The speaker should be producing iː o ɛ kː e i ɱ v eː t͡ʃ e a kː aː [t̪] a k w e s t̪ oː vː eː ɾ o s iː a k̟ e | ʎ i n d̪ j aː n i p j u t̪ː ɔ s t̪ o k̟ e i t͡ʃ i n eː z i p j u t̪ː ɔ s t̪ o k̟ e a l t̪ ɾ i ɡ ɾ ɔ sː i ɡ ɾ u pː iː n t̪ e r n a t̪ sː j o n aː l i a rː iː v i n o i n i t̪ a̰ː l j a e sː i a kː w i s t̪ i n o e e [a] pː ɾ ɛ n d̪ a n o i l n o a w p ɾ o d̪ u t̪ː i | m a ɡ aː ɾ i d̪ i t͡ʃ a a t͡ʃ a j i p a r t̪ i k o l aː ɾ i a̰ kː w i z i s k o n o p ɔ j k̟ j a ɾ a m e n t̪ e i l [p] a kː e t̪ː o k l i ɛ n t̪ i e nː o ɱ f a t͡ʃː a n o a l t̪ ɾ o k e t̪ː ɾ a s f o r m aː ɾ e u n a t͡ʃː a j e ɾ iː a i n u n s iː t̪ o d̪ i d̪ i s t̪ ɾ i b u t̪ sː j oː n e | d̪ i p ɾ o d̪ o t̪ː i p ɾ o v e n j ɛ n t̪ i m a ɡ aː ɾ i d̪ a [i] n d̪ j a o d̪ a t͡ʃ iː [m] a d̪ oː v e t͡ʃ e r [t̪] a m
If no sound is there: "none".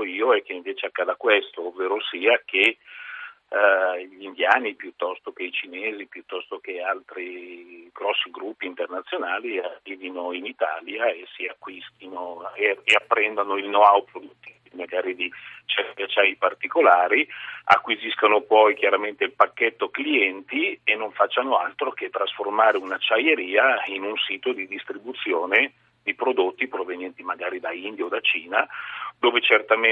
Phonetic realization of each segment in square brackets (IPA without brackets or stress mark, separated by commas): d̪, a, p, i, n, t̪